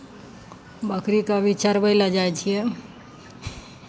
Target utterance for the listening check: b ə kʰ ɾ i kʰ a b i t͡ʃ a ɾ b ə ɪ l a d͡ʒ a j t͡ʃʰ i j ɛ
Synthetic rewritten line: b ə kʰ ɾ i k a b i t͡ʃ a ɾ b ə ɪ l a d͡ʒ a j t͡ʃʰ i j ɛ